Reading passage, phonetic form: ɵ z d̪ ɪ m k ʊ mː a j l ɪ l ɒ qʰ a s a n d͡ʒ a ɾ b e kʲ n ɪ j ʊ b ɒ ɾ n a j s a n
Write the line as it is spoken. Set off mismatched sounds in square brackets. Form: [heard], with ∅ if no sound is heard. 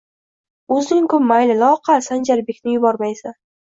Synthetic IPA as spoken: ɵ z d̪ ɪ [ŋ] k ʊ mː a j l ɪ l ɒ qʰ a s a n d͡ʒ a ɾ b e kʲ n ɪ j ʊ b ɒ ɾ [m] a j s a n